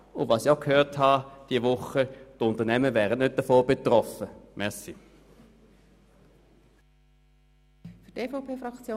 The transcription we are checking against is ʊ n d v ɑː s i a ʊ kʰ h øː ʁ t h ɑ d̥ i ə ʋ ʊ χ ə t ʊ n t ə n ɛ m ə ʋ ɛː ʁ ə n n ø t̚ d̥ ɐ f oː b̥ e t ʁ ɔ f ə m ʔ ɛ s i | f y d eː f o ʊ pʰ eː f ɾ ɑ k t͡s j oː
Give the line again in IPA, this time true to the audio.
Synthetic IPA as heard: ʊ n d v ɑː s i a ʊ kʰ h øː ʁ t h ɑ d̥ i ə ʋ ʊ χ ə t ʊ n t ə n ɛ m ə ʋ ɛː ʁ ə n n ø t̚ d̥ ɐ f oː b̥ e t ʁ ɔ f ə m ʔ ɛ s i | f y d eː f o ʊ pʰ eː f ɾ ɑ k t͡s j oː